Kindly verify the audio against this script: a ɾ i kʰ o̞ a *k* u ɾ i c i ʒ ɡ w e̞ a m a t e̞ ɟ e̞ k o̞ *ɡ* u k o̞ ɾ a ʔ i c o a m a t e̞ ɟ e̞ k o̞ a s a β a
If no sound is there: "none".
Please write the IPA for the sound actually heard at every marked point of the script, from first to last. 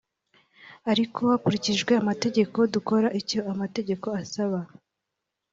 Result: k, d

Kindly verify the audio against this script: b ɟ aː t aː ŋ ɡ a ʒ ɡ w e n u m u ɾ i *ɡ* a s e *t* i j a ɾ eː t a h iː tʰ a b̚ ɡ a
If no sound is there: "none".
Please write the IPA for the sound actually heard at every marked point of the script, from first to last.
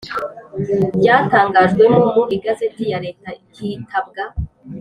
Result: ɡ, t

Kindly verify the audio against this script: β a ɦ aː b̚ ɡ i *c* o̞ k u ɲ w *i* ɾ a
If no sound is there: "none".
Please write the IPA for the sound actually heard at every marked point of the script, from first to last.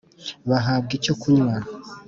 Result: c, a

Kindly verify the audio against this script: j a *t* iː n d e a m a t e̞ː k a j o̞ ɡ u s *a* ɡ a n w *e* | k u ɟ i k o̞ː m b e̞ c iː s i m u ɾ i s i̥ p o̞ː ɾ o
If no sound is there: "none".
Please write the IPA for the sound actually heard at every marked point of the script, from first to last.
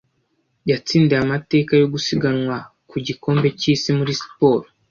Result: t͡s, i, a

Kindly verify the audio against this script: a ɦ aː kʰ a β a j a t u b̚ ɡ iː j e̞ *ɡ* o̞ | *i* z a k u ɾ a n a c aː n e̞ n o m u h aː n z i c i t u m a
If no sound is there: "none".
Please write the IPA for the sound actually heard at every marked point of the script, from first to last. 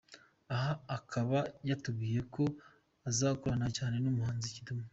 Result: k, a

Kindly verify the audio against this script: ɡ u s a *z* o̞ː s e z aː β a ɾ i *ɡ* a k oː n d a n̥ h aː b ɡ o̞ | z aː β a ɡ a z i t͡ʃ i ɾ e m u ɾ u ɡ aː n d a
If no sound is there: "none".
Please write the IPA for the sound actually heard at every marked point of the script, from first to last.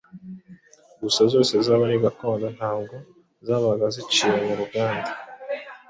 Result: z, ɡ

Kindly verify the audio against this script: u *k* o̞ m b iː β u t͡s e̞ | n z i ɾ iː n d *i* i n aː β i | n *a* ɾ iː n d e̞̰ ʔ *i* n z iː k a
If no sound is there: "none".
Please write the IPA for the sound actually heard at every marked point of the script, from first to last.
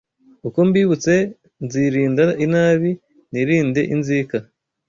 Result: k, a, i, i

